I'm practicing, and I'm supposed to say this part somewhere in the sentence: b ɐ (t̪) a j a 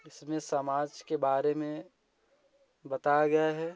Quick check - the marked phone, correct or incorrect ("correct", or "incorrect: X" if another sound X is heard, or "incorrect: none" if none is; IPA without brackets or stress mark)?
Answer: correct